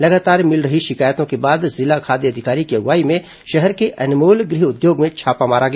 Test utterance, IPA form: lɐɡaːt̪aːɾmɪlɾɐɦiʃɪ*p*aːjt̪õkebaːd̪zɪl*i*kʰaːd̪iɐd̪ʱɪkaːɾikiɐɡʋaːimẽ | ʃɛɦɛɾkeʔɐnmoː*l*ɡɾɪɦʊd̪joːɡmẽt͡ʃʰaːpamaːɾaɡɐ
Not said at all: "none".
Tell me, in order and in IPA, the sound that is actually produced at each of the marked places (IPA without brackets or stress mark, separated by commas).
k, a, l